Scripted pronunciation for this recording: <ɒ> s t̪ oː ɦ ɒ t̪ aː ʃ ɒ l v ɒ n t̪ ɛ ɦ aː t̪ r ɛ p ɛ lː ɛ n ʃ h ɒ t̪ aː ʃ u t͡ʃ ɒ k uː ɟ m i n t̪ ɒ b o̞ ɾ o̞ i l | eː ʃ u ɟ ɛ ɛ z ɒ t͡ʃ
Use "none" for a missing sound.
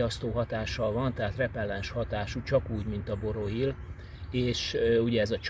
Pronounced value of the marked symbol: ɒ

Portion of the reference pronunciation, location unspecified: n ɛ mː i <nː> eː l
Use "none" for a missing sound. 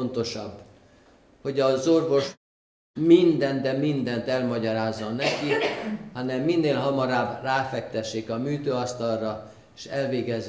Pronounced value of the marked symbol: nː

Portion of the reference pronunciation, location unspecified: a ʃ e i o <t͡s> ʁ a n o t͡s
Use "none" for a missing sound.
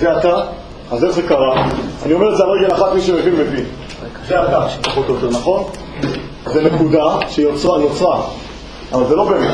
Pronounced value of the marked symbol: t͡s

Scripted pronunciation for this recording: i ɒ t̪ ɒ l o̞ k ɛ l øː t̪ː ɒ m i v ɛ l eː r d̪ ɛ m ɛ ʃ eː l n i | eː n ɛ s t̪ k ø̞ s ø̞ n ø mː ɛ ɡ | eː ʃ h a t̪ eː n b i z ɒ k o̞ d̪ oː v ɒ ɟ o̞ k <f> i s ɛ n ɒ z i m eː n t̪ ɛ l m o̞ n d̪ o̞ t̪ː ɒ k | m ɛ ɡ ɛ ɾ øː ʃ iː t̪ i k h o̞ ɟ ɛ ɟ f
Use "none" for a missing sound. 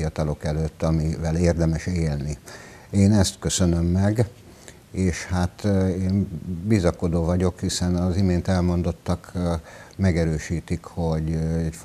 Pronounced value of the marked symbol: h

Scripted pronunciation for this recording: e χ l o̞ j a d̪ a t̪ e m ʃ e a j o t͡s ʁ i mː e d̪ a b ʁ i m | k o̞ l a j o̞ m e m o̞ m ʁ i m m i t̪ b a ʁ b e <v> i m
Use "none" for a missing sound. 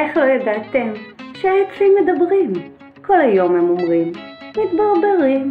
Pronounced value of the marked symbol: ʁ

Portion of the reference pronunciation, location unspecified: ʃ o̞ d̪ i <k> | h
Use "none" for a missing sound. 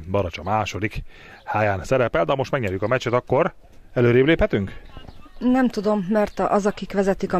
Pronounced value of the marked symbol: k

